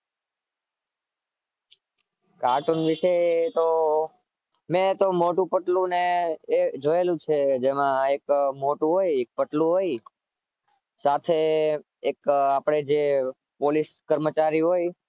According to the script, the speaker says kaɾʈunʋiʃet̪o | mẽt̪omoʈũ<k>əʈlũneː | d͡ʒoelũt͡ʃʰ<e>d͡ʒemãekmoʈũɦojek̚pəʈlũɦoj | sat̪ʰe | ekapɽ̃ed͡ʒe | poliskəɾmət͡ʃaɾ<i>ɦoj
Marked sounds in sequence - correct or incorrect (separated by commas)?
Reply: incorrect, correct, correct